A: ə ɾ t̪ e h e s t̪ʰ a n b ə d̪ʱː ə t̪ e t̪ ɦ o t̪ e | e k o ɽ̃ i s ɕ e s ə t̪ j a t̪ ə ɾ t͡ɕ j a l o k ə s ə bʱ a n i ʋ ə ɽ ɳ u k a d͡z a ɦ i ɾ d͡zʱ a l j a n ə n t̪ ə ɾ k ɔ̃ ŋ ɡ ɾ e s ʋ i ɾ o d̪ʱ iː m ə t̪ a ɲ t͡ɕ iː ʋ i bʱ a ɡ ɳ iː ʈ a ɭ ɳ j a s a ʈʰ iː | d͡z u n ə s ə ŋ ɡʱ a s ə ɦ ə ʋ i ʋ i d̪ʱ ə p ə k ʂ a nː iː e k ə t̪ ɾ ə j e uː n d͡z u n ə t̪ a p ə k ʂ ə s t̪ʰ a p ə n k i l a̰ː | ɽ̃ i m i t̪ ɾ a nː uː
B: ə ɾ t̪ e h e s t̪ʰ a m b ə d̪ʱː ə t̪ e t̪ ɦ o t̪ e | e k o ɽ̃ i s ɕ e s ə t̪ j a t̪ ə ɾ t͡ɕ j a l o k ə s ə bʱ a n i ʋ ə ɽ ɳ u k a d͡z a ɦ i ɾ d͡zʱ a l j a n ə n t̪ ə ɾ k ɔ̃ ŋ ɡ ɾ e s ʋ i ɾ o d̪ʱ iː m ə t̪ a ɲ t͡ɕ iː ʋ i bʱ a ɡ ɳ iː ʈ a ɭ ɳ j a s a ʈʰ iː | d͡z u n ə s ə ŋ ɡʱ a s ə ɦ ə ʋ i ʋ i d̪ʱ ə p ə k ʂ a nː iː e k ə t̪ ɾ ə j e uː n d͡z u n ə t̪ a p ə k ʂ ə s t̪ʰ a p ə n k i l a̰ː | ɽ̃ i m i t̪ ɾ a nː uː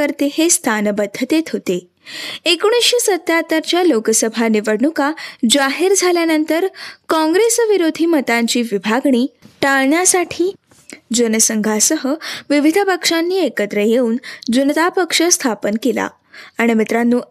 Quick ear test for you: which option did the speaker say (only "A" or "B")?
A